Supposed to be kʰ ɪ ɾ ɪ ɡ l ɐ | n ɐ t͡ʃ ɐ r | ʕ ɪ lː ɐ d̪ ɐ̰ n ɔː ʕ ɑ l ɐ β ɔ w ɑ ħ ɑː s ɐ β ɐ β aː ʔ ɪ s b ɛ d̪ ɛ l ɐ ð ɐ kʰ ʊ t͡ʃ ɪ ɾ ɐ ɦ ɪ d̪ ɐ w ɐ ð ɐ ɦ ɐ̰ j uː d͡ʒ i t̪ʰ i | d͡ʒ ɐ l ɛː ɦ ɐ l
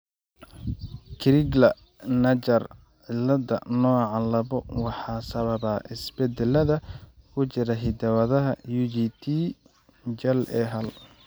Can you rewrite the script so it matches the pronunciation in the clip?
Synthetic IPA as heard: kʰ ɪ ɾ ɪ ɡ l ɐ | n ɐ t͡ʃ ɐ r | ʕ ɪ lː ɐ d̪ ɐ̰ n ɔː ʕ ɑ l ɐ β ɔ w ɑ ħ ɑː s ɐ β ɐ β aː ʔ ɪ s b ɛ d̪ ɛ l ɐ ð ɐ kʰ ʊ t͡ʃ ɪ ɾ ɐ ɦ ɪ d̪ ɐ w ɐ ð ɐ ɦ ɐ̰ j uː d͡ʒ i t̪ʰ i | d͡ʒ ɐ l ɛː ɦ ɐ l